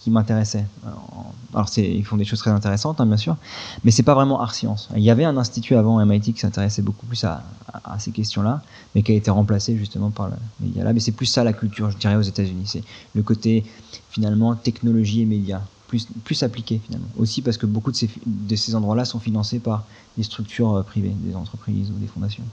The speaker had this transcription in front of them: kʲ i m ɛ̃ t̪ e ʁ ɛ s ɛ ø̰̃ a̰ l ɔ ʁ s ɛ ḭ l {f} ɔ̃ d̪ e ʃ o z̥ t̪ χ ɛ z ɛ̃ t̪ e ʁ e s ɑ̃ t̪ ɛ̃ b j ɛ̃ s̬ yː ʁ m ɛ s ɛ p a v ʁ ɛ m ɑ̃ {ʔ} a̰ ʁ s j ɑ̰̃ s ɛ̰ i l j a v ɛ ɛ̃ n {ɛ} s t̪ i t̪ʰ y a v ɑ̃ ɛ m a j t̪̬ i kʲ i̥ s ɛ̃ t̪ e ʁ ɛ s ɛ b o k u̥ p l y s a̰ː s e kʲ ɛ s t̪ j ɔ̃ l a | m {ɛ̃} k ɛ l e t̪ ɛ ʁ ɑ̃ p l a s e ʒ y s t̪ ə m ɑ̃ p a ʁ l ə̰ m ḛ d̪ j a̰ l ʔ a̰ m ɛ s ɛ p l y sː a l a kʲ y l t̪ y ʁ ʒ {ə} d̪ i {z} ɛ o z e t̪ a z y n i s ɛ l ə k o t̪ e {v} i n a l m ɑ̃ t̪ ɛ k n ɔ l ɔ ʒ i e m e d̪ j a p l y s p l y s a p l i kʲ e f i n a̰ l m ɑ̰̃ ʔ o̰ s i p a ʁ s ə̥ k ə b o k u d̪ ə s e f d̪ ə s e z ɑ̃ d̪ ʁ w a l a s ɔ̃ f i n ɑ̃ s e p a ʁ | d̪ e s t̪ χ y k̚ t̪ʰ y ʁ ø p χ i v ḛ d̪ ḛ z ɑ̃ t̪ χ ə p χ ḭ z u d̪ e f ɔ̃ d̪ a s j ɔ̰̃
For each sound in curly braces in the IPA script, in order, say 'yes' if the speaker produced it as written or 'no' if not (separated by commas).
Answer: yes, yes, no, no, yes, no, no